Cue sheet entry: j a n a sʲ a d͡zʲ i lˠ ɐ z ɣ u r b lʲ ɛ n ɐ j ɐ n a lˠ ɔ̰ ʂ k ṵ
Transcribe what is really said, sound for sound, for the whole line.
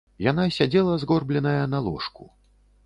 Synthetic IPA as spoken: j a n a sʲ a d͡zʲ ɛ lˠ ɐ z ɣ ɔ r b lʲ ɛ n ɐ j ɐ n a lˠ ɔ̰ ʂ k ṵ